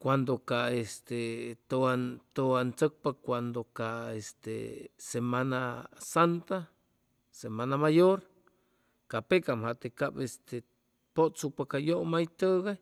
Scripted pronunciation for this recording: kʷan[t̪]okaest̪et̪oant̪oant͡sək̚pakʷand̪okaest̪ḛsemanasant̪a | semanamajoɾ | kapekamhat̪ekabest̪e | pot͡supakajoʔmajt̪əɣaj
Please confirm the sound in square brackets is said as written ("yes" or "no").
no